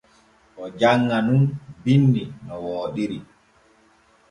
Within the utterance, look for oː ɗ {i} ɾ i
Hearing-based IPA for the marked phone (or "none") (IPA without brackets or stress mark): i